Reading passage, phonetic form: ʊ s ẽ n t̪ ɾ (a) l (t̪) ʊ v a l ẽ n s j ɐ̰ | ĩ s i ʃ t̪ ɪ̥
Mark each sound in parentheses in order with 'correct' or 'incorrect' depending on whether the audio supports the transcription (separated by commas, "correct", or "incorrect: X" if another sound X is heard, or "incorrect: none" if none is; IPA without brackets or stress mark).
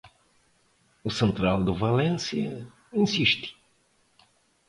correct, incorrect: d̪